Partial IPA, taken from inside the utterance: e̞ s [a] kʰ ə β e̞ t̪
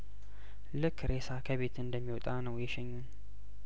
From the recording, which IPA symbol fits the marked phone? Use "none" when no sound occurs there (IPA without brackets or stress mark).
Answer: a